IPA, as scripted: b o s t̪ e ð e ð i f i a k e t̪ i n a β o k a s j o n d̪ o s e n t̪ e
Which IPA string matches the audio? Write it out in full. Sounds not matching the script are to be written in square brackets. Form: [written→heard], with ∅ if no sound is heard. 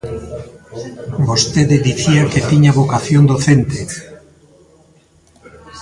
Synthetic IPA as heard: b o s t̪ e ð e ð i [f→θ] i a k e t̪ i [n→ɲ] a β o k a [s→θ] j o n d̪ o [s→θ] e n t̪ e